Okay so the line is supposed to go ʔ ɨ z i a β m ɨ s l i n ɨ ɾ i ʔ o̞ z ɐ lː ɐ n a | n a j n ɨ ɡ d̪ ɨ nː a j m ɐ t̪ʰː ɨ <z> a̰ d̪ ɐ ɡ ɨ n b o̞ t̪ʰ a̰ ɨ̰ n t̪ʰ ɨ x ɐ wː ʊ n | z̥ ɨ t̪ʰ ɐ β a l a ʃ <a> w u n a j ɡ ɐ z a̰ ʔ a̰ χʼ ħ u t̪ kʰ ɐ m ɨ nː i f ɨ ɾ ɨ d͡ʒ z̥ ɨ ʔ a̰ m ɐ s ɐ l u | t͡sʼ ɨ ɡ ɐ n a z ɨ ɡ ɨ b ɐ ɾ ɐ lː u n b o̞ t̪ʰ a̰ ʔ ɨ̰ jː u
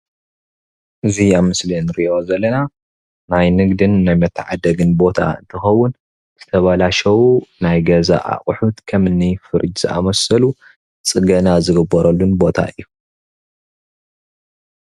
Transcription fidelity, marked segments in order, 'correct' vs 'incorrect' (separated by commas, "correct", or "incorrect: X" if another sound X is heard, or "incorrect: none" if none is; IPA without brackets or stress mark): incorrect: ʕ, incorrect: ɐ